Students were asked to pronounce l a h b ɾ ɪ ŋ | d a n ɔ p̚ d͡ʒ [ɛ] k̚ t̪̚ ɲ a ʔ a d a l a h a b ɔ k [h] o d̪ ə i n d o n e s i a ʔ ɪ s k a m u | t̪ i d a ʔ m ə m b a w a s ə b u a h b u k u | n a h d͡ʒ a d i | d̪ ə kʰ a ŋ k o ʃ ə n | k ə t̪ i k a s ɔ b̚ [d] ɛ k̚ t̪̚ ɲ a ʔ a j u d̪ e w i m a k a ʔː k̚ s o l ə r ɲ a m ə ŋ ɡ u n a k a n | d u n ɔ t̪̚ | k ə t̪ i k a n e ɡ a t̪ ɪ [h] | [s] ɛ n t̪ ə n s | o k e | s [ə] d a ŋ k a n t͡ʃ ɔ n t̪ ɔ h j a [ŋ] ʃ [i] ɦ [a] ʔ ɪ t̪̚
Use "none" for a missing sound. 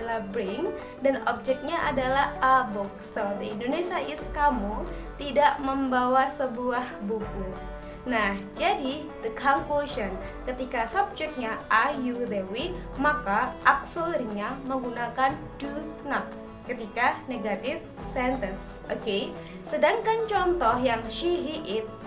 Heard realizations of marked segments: ɛ, s, d͡ʒ, f, s, ə, ŋ, i, i

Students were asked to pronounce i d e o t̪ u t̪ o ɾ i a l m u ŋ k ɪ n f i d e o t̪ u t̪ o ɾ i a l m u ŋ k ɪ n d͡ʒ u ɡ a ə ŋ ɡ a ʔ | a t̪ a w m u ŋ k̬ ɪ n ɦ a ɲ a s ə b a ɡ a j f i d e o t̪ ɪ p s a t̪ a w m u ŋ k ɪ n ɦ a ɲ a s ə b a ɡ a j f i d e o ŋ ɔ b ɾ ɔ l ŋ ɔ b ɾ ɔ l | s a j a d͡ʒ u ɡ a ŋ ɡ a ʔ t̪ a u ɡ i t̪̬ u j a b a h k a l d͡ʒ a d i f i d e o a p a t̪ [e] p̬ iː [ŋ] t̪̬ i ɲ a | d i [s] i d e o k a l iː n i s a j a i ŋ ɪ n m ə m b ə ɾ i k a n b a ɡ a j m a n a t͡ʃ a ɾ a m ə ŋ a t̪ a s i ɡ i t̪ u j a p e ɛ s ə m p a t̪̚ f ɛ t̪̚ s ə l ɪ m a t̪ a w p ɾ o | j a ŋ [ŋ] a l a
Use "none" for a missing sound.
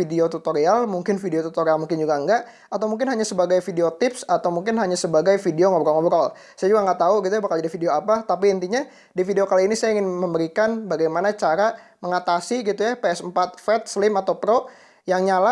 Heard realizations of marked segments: a, n, f, ɲ

